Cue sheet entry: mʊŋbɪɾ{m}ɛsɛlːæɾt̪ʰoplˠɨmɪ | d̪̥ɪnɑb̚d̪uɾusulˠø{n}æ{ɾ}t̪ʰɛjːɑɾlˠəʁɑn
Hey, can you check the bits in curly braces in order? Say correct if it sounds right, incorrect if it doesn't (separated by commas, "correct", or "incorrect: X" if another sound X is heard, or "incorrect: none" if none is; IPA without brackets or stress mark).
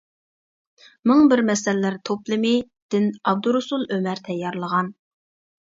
correct, incorrect: m, correct